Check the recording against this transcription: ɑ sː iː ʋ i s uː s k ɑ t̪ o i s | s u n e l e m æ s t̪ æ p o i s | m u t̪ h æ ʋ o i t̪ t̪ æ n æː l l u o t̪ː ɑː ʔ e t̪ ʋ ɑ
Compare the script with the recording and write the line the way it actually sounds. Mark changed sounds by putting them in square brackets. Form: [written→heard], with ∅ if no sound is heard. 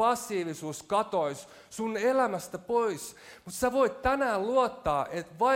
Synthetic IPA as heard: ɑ sː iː ʋ i s uː s k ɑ t̪ o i s | s u n e l [e→æ] m æ s t̪ æ p o i s | m u t̪ [h→s] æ ʋ o i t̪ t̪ æ n æː l l u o t̪ː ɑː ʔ e t̪ ʋ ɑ